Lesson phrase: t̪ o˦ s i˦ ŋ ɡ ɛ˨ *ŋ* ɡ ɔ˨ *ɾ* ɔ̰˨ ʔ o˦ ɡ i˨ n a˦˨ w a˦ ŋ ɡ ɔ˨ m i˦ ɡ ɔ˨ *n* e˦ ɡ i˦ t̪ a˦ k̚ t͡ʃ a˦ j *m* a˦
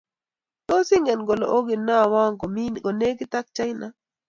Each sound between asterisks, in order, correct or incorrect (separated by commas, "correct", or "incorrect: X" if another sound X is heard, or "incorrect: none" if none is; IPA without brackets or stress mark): incorrect: n, incorrect: l, correct, incorrect: n